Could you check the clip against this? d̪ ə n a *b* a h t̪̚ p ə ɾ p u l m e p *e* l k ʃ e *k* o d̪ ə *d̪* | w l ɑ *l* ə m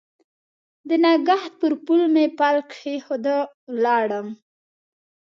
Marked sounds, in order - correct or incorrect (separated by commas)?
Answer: incorrect, incorrect, incorrect, incorrect, incorrect